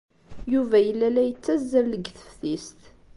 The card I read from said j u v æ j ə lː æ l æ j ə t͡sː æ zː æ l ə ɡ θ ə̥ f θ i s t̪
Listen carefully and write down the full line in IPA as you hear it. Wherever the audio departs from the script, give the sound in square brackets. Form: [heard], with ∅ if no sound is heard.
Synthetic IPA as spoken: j u v æ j ə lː æ l æ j ə t͡sː æ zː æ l ə ɡ θ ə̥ f θ i s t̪